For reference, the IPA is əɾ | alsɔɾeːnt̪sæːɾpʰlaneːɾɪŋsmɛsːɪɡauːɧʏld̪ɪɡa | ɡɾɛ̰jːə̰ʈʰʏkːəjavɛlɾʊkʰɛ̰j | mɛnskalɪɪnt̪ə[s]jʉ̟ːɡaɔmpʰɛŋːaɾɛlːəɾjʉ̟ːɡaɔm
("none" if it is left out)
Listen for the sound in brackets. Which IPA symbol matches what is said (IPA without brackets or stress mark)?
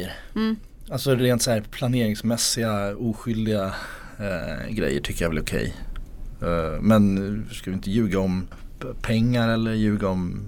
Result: none